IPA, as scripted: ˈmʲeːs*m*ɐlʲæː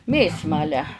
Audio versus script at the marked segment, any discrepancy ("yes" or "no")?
no